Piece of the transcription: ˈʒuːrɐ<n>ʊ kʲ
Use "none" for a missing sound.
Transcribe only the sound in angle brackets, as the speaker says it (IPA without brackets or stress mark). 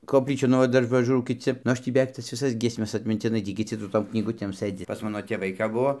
none